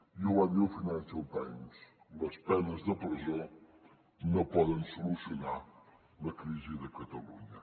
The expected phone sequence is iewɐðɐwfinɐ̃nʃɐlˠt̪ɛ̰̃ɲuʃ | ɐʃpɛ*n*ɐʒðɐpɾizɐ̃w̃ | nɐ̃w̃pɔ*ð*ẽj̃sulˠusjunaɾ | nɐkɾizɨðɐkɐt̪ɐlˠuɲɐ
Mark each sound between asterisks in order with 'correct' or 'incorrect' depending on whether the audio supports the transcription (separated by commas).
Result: correct, correct